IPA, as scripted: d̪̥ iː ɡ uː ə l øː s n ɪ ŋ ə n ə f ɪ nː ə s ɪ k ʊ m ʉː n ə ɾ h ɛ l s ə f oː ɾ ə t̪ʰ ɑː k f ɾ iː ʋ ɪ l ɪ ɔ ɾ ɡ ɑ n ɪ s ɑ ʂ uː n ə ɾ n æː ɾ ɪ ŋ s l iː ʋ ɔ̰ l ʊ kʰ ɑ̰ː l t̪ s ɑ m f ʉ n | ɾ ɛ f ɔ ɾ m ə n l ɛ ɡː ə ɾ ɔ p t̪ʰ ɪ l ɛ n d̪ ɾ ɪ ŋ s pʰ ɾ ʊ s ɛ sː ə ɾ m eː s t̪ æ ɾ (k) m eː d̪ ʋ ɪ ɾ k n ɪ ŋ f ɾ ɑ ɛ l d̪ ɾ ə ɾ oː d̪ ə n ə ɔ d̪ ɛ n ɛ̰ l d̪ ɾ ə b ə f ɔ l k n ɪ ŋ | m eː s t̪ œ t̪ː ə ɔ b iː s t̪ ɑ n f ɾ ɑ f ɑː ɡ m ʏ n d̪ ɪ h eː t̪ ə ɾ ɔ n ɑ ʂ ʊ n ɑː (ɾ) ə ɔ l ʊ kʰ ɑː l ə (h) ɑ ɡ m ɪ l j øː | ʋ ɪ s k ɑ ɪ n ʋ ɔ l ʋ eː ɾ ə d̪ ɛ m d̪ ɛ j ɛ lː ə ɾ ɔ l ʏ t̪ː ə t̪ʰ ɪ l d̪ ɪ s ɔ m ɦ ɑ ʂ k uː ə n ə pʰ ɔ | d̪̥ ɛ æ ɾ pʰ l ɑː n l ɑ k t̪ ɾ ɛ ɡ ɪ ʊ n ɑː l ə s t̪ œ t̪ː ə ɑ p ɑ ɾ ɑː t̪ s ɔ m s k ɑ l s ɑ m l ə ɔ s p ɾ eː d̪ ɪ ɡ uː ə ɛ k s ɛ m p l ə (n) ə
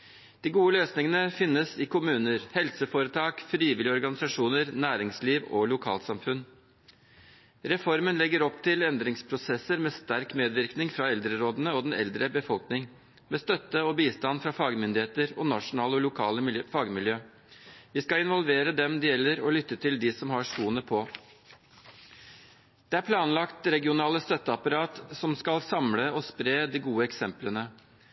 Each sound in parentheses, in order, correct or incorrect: correct, incorrect, incorrect, correct

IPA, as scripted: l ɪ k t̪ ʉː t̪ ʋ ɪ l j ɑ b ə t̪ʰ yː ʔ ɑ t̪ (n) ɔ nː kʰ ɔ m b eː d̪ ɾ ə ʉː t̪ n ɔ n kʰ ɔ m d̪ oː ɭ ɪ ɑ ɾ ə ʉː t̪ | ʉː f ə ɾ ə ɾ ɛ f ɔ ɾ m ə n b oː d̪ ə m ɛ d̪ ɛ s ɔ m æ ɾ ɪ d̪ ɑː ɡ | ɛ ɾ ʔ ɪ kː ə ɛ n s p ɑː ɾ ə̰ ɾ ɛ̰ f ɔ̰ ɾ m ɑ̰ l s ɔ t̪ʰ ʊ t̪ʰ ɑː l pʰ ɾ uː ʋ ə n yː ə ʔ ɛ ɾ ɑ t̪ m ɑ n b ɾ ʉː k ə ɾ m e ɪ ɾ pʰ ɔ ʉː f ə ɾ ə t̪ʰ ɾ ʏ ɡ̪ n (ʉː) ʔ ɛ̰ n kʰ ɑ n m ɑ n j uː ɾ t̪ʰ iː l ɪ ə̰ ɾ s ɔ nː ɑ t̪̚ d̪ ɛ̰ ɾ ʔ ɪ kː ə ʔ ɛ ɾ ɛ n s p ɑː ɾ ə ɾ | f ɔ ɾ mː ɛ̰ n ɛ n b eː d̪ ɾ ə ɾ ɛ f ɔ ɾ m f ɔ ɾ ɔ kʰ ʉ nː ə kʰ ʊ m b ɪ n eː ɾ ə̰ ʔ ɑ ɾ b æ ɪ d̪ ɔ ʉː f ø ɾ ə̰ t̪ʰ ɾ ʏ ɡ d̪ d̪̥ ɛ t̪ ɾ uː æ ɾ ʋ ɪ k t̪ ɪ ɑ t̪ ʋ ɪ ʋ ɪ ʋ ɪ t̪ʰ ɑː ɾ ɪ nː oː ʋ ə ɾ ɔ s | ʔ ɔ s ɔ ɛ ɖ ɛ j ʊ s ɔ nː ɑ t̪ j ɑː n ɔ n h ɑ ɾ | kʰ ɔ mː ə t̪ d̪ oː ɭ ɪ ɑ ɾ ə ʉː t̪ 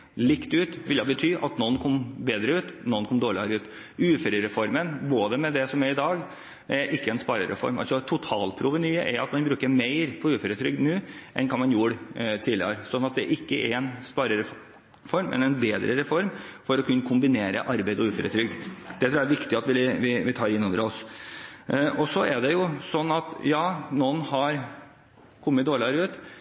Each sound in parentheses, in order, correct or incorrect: correct, correct

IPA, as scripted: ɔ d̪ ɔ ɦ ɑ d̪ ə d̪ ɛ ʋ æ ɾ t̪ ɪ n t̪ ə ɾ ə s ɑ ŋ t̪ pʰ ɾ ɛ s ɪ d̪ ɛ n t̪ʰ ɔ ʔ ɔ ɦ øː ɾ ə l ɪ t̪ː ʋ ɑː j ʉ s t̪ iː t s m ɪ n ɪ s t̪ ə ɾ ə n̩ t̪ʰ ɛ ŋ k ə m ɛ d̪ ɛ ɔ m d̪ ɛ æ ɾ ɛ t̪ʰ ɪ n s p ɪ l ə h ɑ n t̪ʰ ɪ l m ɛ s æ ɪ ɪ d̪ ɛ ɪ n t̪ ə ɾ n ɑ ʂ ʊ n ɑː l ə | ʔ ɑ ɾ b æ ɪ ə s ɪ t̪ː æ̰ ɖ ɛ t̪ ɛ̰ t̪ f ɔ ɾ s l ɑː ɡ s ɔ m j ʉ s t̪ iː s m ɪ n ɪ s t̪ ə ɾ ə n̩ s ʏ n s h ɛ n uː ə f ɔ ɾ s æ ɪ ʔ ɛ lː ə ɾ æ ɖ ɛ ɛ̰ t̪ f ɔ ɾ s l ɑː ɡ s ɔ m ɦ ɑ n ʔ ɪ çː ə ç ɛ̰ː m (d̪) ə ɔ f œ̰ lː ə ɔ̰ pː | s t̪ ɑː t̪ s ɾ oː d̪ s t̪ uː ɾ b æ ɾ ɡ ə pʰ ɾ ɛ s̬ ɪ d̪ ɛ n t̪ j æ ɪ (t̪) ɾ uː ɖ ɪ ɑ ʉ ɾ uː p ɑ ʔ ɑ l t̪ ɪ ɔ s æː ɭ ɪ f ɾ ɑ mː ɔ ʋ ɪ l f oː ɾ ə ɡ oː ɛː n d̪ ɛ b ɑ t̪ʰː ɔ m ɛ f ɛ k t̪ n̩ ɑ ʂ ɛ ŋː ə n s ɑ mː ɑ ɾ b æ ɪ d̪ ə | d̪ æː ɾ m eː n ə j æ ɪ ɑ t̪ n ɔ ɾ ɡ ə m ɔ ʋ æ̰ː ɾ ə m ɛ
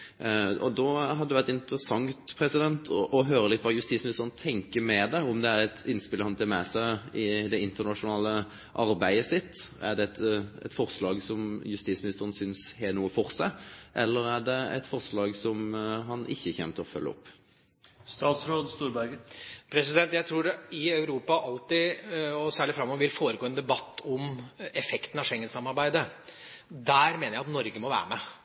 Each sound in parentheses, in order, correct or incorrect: incorrect, incorrect

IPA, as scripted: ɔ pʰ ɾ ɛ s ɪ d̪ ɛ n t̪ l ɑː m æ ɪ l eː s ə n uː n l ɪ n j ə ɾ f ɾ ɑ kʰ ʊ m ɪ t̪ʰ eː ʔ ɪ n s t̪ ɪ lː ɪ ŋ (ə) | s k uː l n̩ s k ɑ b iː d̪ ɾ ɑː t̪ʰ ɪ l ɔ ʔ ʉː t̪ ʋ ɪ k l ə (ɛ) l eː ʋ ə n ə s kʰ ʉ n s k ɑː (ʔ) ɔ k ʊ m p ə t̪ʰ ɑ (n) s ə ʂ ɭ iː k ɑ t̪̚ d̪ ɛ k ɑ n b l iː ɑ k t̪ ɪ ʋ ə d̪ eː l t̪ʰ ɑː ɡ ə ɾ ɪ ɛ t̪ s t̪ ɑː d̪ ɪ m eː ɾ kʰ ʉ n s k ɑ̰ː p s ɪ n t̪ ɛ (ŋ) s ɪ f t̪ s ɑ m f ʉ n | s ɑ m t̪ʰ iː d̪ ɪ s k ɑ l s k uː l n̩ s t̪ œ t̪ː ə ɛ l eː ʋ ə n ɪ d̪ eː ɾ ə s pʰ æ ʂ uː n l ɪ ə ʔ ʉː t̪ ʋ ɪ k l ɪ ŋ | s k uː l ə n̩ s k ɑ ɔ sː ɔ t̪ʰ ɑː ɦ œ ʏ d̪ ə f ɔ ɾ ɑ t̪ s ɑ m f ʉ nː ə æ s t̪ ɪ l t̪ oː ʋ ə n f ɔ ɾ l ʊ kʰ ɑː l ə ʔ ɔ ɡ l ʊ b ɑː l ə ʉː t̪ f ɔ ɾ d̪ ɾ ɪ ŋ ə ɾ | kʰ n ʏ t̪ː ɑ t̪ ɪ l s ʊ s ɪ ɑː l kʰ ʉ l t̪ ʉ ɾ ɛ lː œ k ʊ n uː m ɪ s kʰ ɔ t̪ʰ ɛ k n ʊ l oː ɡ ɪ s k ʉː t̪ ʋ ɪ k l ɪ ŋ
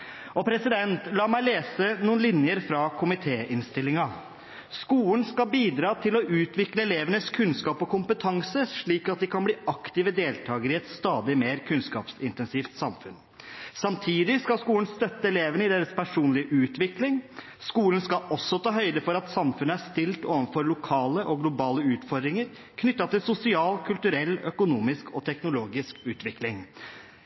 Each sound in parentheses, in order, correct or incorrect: incorrect, correct, incorrect, incorrect, incorrect

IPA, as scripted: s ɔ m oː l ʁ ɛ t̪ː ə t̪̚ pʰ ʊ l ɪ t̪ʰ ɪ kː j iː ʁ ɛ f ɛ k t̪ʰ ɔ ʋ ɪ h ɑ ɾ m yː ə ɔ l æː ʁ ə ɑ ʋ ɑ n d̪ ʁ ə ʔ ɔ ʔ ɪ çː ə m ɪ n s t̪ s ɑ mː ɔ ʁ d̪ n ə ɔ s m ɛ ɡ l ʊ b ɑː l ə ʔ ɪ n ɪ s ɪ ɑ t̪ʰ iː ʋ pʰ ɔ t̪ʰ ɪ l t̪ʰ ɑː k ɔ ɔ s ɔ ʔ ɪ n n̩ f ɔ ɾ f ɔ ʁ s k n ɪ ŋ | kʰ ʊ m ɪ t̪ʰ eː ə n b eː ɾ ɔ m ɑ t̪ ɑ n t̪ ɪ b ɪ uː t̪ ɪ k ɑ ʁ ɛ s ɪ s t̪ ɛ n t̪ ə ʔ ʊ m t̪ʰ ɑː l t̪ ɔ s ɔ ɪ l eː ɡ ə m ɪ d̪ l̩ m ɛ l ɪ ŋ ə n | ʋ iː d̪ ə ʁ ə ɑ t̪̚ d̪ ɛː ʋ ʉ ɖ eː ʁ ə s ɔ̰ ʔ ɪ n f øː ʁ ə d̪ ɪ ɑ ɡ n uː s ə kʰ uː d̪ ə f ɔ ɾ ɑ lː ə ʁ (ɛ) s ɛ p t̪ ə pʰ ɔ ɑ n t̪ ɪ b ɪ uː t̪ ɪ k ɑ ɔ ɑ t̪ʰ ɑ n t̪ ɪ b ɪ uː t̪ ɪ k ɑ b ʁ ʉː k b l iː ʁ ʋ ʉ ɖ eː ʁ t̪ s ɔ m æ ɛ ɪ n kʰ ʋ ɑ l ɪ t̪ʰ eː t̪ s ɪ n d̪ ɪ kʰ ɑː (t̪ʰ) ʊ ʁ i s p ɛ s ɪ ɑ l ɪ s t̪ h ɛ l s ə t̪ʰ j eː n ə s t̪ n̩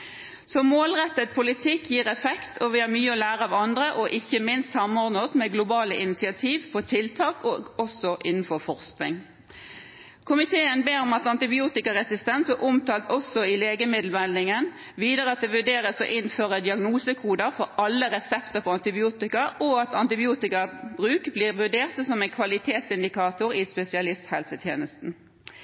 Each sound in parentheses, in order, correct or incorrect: correct, incorrect

